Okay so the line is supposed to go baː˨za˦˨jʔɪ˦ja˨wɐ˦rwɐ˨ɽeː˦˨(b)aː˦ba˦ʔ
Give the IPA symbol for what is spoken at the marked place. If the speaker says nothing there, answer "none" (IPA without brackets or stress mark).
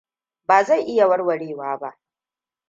w